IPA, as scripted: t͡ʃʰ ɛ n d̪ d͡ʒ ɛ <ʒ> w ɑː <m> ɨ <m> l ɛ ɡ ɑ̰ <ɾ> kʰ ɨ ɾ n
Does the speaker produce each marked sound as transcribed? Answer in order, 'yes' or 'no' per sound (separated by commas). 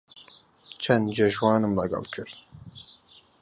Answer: yes, no, yes, no